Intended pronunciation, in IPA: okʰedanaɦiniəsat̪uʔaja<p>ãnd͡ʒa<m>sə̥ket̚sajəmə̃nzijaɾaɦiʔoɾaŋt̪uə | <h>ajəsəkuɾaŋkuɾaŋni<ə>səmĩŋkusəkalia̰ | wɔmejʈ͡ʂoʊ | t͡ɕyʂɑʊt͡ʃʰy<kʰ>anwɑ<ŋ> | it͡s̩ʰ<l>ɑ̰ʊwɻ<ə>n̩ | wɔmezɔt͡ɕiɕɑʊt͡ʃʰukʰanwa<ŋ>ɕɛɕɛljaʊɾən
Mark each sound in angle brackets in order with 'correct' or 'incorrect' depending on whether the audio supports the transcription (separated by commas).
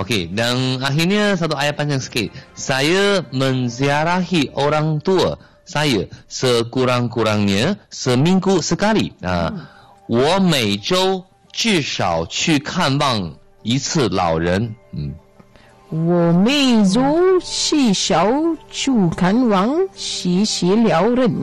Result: correct, incorrect, incorrect, correct, correct, correct, correct, correct, correct